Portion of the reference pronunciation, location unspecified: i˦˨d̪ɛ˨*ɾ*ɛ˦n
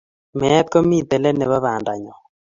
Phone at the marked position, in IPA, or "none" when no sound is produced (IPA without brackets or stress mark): l